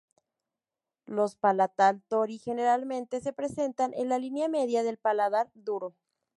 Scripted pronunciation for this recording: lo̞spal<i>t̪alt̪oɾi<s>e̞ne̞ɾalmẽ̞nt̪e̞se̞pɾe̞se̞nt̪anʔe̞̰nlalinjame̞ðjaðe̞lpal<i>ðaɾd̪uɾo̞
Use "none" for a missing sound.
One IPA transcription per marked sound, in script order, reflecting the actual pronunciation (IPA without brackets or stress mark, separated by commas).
a, x, a